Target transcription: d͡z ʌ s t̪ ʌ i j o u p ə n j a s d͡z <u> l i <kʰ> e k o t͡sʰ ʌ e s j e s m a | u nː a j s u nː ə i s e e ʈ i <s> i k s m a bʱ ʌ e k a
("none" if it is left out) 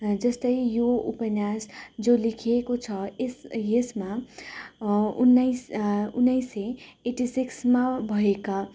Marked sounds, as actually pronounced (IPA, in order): o, kʰ, s

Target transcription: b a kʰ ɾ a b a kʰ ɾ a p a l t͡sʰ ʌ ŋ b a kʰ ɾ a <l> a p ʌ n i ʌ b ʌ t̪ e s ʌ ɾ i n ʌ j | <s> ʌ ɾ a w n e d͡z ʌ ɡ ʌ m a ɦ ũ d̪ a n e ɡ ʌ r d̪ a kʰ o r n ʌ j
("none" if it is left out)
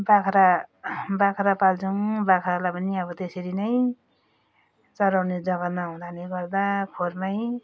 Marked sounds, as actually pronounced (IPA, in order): l, t͡s

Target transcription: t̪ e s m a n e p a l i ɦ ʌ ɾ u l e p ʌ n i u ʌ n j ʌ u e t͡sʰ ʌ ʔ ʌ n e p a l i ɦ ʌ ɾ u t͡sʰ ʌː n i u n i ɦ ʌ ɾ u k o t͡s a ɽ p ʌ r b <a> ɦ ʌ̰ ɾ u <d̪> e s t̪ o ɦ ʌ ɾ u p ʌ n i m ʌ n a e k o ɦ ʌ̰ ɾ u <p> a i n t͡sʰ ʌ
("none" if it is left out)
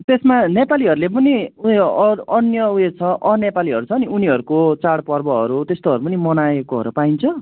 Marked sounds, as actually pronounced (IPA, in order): ʌ, t̪, p

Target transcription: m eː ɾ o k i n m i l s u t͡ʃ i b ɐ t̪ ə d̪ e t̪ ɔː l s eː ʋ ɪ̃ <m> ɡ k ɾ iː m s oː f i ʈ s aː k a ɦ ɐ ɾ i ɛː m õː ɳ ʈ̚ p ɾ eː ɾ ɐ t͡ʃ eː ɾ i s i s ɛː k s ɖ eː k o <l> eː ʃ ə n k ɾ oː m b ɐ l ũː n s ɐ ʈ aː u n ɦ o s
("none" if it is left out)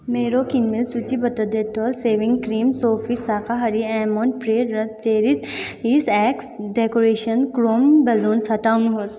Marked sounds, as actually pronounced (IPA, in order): ŋ, ɾ

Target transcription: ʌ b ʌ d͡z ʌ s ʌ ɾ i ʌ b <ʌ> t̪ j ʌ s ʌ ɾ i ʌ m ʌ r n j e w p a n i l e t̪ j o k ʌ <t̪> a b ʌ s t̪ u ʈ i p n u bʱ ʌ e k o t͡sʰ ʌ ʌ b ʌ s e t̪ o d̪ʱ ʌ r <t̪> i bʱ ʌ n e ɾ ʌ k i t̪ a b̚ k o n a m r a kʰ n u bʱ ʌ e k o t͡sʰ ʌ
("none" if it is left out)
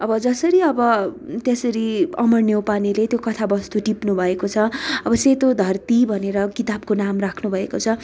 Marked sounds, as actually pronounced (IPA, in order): ʌ, t̪ʰ, t̪

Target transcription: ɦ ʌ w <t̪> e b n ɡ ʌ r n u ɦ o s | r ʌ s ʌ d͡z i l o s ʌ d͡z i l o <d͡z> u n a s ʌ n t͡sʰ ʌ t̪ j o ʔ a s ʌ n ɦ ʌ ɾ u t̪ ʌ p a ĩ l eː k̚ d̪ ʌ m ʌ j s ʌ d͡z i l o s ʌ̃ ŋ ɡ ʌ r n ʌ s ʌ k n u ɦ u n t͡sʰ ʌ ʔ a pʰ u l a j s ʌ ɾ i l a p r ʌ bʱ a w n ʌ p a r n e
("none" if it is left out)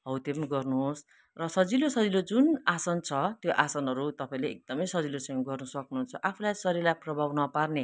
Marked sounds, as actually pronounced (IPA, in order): t̪, d͡z

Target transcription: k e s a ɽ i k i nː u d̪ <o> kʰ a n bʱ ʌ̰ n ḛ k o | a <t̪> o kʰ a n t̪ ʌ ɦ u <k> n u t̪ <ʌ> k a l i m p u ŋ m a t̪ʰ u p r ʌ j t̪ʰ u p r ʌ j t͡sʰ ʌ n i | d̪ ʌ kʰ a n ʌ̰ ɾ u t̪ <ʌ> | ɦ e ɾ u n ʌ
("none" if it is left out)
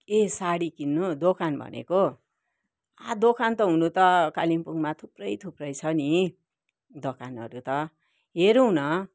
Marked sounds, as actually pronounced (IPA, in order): o, d̪, none, ʌ, ʌ

